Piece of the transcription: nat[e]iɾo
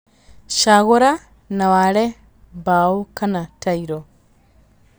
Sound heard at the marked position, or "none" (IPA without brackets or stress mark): a